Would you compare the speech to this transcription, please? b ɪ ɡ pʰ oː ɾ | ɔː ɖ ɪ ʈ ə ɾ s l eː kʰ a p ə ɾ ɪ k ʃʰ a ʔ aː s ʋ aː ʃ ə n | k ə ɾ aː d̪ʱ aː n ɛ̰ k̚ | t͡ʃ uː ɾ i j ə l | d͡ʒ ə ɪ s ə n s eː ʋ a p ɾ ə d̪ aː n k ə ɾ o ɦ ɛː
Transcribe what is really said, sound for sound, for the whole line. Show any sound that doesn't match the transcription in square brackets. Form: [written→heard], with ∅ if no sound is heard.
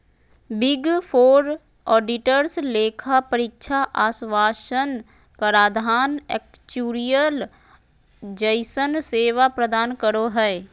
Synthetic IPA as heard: b ɪ ɡ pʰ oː ɾ | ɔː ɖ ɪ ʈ ə ɾ s l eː kʰ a p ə ɾ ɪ k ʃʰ a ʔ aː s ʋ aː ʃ ə n | k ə ɾ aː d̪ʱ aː n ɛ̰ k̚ | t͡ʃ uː ɾ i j ə l | d͡ʒ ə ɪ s ə n s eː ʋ a p ɾ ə d̪ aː n k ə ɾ o ɦ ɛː

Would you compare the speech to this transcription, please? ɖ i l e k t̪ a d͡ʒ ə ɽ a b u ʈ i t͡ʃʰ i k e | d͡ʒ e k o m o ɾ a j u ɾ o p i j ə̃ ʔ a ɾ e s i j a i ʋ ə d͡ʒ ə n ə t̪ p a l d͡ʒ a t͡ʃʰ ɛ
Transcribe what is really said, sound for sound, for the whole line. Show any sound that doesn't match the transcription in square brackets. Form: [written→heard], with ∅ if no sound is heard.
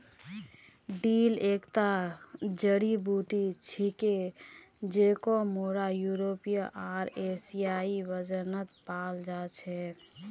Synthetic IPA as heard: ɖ i l e k t̪ a d͡ʒ ə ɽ [a→i] b u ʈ i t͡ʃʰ i k e | d͡ʒ e k o m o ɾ a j u ɾ o p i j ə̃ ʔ a ɾ e s i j a i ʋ ə d͡ʒ ə n ə t̪ p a l d͡ʒ a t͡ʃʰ ɛ

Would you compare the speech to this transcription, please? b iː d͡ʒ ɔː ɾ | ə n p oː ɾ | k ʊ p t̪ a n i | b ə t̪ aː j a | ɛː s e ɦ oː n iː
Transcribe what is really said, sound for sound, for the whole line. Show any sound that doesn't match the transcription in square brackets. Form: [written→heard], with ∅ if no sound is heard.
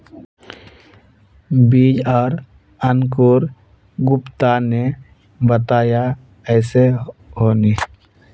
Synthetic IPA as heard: b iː d͡ʒ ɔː ɾ | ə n [p→k] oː ɾ | [k→ɡ] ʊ p t̪ a n [i→e] | b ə t̪ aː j a | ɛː s e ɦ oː n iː

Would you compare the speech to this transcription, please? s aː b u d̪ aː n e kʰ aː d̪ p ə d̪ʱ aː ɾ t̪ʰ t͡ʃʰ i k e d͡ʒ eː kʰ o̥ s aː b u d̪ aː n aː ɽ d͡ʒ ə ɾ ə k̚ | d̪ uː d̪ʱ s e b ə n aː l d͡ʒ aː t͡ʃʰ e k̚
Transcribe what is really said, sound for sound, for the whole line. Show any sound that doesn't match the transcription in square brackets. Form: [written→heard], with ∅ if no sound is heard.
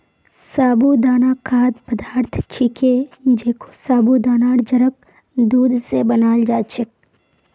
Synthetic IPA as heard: s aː b u d̪ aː n [e→a] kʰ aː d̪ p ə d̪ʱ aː ɾ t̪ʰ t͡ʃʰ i k e d͡ʒ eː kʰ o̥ s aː b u d̪ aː n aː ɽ d͡ʒ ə ɾ ə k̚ | d̪ uː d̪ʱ s e b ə n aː l d͡ʒ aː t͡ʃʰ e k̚

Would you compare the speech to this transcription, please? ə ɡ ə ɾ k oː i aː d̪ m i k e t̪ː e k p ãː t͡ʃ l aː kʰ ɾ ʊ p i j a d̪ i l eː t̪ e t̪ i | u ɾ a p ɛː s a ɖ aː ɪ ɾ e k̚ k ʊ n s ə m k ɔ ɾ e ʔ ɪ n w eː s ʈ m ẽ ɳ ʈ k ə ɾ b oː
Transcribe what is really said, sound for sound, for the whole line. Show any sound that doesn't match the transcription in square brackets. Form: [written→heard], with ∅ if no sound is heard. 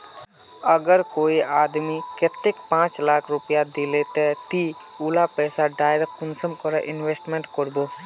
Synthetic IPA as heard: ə ɡ ə ɾ k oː i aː d̪ m i k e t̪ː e k p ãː t͡ʃ l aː kʰ ɾ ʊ p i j a d̪ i l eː t̪ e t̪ i | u [ɾ→l] a p ɛː s a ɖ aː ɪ ɾ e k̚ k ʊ n s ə m k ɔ ɾ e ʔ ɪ n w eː s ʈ m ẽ ɳ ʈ k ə ɾ b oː

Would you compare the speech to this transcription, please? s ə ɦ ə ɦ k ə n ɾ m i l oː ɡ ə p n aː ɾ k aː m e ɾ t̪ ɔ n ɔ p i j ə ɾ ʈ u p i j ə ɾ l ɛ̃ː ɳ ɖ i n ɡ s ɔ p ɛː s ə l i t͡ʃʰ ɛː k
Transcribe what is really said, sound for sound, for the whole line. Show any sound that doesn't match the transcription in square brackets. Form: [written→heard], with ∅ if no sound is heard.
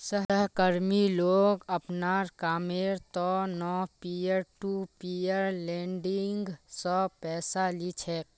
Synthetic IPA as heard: s ə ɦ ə ɦ k ə [n→∅] ɾ m i l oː ɡ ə p n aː ɾ k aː m e ɾ t̪ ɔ n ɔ p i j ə ɾ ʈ u p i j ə ɾ l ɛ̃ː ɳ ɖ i [n→ŋ] ɡ s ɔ p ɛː s [ə→a] l i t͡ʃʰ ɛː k

